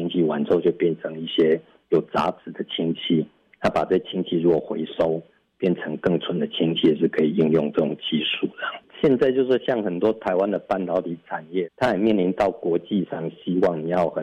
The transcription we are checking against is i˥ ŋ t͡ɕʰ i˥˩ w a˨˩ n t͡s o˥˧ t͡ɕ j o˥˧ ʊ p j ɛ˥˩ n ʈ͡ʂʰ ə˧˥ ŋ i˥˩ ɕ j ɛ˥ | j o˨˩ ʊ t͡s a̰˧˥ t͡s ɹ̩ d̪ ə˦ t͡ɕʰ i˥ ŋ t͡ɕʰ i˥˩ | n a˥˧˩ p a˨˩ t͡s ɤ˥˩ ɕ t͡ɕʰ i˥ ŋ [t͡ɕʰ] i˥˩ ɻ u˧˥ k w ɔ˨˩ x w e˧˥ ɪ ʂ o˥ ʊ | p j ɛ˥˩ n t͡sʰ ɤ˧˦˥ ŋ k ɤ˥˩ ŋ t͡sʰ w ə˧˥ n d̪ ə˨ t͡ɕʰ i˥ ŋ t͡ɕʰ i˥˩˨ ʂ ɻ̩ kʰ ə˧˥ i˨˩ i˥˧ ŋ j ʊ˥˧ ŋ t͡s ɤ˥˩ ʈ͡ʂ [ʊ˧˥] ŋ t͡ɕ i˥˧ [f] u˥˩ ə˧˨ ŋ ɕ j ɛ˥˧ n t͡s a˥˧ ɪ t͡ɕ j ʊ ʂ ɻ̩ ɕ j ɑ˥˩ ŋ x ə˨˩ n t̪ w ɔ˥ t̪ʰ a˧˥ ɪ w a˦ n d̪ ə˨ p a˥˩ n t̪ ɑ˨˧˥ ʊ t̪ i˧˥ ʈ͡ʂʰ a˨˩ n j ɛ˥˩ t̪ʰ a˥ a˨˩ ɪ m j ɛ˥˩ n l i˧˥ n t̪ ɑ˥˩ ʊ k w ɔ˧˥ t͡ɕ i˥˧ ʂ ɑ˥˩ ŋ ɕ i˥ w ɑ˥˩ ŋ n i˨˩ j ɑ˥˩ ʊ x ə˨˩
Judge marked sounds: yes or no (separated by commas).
yes, no, no